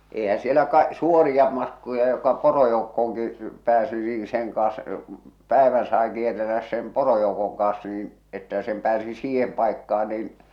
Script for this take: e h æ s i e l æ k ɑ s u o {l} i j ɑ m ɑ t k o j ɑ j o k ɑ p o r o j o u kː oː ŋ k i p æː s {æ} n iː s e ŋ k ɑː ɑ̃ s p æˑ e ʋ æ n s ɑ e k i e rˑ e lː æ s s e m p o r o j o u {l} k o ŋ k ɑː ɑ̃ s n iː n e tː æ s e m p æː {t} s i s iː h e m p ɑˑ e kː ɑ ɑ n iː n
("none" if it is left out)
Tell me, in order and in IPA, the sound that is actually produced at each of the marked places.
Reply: r, i, none, none

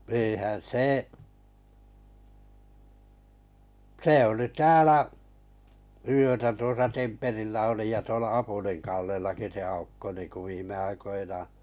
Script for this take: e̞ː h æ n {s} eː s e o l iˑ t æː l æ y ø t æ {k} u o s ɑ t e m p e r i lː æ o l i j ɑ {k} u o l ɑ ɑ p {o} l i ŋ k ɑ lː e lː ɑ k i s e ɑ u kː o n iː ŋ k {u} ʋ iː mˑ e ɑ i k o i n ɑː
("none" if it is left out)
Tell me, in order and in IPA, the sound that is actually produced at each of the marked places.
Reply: s, t, t, u, u

